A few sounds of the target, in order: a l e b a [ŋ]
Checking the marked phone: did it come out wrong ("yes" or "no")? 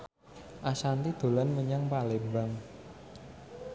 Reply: no